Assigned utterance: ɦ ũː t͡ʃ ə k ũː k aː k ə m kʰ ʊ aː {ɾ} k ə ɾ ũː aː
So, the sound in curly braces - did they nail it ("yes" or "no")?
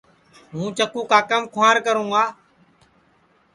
yes